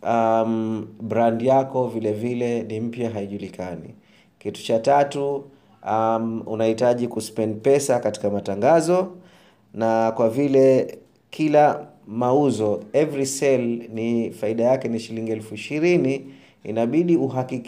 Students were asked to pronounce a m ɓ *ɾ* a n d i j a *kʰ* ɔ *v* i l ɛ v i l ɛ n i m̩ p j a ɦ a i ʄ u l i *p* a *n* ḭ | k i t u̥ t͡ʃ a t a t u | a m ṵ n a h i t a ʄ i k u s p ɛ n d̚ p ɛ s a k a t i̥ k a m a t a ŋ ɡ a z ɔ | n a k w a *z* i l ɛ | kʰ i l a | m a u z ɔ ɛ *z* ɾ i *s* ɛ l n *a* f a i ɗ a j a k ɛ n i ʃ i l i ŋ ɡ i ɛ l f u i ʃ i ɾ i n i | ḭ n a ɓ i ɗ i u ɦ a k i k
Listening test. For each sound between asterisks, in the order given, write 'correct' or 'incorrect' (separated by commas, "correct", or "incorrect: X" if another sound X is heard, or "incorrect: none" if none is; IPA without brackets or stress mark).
correct, incorrect: k, correct, incorrect: k, correct, incorrect: v, incorrect: v, correct, incorrect: i